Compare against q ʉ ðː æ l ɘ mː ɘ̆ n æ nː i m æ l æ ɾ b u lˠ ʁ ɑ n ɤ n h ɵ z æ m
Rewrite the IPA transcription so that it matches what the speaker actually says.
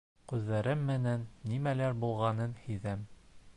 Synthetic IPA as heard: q ʉ ðː æ ɾ ɘ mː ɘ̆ n æ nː i m æ l æ ɾ b u lˠ ʁ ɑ n ɤ n h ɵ ð æ m